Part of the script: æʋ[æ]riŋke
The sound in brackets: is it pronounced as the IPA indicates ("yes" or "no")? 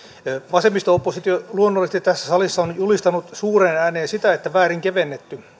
no